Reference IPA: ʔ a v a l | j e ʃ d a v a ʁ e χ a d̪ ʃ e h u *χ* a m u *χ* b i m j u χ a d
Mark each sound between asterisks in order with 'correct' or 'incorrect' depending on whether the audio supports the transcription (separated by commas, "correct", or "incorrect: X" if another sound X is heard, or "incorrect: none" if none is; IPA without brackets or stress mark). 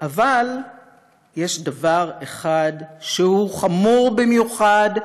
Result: correct, incorrect: ʁ